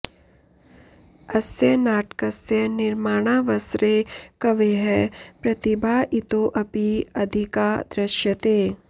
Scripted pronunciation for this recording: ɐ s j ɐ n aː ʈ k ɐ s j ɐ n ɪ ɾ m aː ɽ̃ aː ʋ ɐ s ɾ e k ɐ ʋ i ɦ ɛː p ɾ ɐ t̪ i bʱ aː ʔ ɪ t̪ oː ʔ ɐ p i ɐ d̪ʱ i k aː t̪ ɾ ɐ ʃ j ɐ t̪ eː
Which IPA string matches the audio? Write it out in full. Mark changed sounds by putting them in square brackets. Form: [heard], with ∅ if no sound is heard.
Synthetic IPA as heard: ɐ s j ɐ n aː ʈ k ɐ s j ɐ n ɪ ɾ m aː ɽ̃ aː ʋ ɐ s ɾ e k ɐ ʋ [e] ɦ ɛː p ɾ ɐ t̪ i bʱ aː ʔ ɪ t̪ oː ʔ ɐ p i ɐ d̪ʱ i k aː [d̪] ɾ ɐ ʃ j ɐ t̪ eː